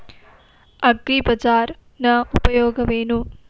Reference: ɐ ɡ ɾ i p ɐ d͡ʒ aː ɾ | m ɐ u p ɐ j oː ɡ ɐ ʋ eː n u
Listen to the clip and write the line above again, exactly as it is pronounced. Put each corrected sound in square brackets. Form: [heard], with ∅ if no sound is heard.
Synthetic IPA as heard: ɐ ɡ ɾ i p ɐ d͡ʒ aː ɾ | [n] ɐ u p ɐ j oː ɡ ɐ ʋ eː n u

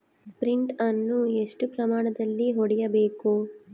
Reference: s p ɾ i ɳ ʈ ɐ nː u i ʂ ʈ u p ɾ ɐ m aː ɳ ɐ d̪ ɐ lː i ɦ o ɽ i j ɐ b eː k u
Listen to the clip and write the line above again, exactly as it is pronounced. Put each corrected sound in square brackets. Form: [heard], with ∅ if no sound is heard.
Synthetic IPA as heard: s p ɾ i ɳ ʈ ɐ nː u [e] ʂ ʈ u p ɾ ɐ m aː ɳ ɐ d̪ ɐ lː i ɦ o ɽ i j ɐ b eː k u

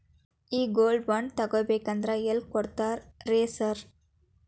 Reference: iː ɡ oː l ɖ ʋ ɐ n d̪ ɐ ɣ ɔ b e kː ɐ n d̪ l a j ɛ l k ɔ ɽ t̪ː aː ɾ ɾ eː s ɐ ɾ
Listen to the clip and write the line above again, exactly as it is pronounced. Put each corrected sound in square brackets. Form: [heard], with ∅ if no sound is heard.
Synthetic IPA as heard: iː ɡ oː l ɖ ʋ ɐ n [t̪] ɐ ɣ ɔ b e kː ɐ n d̪ [ɾ] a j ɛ l k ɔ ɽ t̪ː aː ɾ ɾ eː s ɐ ɾ

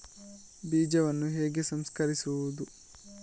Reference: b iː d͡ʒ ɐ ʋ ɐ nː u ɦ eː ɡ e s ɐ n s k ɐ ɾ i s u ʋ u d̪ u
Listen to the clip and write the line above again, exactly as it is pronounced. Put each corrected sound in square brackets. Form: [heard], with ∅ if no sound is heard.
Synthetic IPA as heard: b iː d͡ʒ ɐ ʋ ɐ nː u ɦ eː ɡ e s ɐ [m] s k ɐ ɾ i s u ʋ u d̪ u

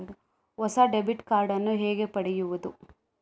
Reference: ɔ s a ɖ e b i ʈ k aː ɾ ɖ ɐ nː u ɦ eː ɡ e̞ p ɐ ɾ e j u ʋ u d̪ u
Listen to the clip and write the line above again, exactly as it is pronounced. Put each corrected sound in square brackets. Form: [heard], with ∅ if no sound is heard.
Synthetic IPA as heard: ɔ s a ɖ e b i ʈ k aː ɾ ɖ ɐ nː u ɦ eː ɡ e̞ p ɐ [ɽ] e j u ʋ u d̪ u

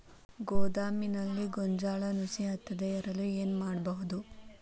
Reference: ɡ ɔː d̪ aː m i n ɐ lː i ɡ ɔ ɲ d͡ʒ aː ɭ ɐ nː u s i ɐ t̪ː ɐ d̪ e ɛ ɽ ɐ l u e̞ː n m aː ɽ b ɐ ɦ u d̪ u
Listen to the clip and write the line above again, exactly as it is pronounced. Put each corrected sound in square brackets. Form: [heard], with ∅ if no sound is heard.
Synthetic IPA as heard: ɡ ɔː d̪ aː m i n ɐ lː i ɡ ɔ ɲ d͡ʒ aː ɭ ɐ [n] u s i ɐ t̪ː ɐ d̪ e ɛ [ɾ] ɐ l u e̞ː n m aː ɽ b ɐ ɦ u d̪ u

